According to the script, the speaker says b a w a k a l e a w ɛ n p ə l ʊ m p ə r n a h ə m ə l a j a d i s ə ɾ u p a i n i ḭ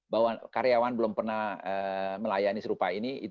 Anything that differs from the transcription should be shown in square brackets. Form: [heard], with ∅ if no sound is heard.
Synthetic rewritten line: b a w a k a [ɾ] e a w [a] n [b] ə l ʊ m p ə r n a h ə m ə l a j a [n] i s ə ɾ u p a i n i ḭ